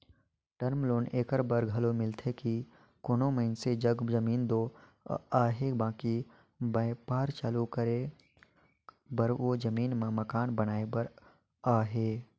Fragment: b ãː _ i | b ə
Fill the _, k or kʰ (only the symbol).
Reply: k